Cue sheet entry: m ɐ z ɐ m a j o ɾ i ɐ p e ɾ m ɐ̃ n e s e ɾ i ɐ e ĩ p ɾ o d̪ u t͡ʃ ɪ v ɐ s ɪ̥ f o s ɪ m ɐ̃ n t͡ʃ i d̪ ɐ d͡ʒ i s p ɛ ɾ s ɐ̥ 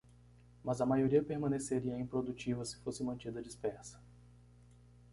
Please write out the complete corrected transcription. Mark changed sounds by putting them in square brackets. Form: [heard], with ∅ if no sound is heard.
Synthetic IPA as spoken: m ɐ z ɐ m a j o ɾ i ɐ p e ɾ m ɐ̃ n e s e ɾ i ɐ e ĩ p ɾ o d̪ u t͡ʃ [i] v ɐ s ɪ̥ f o s ɪ m ɐ̃ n t͡ʃ i d̪ ɐ d͡ʒ i s p ɛ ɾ s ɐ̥